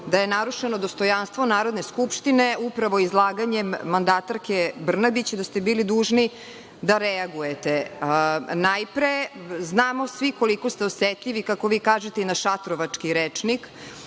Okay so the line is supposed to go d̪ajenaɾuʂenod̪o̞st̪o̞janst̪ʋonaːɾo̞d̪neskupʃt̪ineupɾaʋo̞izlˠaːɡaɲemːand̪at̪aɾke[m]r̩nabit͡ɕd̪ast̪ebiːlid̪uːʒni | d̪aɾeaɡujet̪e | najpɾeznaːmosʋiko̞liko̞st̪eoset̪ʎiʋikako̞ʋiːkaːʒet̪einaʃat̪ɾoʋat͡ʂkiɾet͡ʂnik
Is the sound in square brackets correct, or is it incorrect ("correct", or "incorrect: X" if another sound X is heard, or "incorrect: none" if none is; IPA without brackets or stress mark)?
incorrect: b